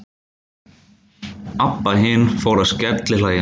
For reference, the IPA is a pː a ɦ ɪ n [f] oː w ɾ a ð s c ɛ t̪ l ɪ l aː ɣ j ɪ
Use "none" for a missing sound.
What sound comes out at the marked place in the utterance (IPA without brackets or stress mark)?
f